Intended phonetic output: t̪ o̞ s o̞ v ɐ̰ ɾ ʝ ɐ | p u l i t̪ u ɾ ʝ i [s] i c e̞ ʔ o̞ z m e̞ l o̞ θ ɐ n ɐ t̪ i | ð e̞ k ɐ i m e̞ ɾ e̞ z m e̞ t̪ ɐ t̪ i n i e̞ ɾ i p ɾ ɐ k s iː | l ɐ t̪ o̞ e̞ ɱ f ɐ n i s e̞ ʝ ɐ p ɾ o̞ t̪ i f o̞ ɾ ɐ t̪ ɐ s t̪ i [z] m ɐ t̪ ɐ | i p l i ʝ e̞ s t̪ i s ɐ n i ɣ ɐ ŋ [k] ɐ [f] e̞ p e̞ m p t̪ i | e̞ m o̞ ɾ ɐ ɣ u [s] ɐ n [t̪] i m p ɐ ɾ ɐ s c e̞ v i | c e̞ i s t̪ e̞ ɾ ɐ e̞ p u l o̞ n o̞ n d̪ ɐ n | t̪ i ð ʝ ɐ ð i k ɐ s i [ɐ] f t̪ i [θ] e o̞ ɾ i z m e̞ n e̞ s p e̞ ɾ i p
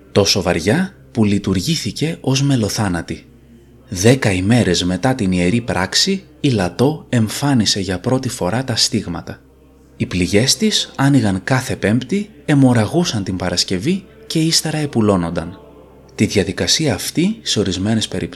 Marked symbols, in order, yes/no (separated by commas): no, no, yes, no, yes, yes, no, no